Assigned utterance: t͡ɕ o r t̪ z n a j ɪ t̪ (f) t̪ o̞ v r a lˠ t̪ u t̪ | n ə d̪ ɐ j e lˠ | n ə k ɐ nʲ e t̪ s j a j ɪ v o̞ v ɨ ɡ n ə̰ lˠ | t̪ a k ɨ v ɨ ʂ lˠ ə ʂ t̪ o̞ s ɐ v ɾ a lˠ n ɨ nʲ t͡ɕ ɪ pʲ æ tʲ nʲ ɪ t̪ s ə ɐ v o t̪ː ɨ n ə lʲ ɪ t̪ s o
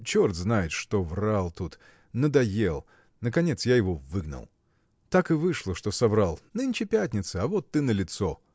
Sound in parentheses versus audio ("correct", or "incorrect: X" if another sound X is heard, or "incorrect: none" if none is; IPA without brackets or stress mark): incorrect: ʂ